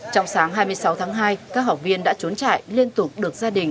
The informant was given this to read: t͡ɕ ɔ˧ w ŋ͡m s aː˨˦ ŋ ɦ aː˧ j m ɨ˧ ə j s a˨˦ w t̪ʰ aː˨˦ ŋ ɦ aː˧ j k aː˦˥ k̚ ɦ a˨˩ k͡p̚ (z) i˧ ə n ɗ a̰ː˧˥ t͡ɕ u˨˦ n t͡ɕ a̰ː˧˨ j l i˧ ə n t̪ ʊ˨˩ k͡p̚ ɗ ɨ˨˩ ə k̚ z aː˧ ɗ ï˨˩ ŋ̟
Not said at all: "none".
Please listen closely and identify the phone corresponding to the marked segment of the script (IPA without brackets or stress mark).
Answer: v